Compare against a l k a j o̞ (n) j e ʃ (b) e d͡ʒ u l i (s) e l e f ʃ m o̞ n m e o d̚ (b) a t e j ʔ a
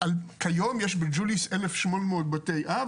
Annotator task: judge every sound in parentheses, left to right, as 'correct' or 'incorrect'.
incorrect: m, correct, correct, correct

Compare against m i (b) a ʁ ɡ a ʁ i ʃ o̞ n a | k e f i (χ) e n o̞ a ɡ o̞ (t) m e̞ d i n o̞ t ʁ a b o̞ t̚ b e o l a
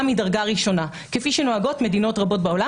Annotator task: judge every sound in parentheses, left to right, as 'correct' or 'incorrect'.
incorrect: d, incorrect: ʃ, correct

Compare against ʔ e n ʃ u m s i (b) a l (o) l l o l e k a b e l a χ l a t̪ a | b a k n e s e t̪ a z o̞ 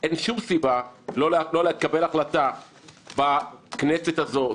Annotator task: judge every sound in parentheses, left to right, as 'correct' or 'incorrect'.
correct, correct

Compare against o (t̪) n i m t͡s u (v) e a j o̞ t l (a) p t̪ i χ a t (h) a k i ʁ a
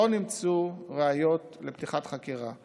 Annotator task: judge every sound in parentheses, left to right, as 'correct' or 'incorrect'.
incorrect: none, incorrect: ʁ, incorrect: e, incorrect: χ

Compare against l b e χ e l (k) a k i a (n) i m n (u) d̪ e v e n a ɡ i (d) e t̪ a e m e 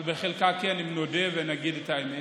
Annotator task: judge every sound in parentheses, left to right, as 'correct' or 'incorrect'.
correct, correct, incorrect: o, correct

